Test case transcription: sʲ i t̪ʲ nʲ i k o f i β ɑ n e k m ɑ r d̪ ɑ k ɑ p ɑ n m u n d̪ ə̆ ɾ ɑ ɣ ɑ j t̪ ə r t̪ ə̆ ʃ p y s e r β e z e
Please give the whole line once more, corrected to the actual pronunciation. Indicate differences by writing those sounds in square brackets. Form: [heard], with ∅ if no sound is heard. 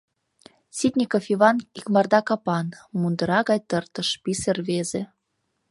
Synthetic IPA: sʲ i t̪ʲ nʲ i k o f i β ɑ n [i] k m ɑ r d̪ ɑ k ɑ p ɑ n m u n d̪ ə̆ ɾ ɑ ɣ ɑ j t̪ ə r t̪ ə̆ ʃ p [i] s e r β e z e